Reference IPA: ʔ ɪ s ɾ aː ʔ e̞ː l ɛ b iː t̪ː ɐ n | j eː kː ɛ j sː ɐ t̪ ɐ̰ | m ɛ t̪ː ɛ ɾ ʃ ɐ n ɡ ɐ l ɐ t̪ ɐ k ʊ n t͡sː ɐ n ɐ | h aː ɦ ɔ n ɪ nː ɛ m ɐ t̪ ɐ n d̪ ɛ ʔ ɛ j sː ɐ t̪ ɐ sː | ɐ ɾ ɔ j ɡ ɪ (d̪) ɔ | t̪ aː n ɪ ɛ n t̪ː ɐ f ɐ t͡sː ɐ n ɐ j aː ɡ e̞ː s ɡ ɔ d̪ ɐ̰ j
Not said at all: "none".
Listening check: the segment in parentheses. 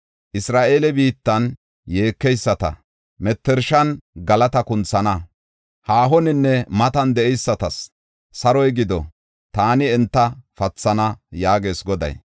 d̪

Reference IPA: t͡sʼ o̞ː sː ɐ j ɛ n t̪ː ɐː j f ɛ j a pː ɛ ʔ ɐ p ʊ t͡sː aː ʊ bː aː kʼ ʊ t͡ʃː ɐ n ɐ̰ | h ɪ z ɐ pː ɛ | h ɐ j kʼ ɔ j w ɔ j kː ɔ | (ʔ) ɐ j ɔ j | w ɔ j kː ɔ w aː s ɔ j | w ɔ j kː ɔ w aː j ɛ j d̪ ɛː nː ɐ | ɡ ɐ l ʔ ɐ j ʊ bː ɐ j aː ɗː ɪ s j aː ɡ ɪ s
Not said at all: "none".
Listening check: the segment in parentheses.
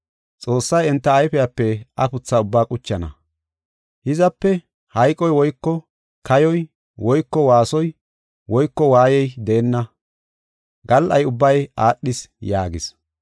k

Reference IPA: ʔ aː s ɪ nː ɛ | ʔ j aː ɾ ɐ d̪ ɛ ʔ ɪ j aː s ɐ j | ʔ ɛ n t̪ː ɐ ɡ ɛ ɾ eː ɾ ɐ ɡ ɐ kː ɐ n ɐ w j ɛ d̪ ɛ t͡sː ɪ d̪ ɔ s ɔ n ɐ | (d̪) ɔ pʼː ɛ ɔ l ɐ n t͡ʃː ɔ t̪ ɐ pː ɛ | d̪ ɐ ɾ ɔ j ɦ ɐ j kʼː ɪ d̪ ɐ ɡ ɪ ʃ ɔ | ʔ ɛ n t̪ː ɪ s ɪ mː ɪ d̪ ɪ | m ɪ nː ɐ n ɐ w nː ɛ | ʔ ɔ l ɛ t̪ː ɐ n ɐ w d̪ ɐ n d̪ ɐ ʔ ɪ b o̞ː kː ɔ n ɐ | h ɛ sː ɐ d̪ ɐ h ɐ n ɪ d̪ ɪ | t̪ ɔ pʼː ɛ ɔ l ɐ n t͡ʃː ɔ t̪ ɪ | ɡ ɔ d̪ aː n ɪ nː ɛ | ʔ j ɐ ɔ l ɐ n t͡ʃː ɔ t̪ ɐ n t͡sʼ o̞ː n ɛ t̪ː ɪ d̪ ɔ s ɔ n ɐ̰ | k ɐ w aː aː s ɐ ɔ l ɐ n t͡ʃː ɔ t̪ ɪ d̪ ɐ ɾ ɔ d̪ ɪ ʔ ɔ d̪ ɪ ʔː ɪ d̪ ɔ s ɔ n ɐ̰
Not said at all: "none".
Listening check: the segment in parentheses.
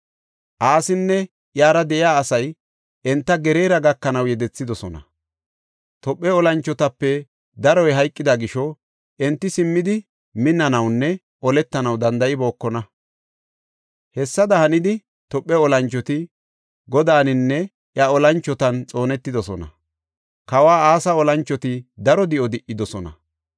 t̪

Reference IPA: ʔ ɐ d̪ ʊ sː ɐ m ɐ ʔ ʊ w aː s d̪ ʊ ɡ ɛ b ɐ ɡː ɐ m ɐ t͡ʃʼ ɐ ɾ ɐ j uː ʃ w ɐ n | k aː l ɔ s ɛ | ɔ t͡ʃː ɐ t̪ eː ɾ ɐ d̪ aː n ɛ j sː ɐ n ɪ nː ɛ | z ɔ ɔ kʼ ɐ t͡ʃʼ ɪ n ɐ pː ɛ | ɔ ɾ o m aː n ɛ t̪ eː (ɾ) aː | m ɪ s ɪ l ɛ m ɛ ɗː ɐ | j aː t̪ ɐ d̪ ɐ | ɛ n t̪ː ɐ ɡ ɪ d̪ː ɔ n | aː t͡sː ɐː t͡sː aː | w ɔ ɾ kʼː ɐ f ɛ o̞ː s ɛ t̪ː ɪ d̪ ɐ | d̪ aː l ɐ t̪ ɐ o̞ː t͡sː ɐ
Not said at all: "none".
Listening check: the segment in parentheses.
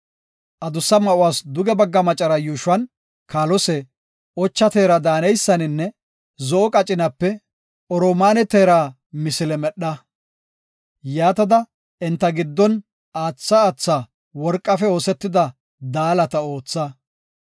ɾ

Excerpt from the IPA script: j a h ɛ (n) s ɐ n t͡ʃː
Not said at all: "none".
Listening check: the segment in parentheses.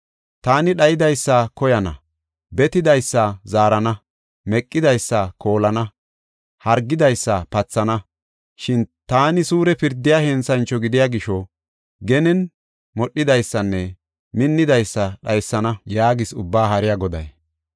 n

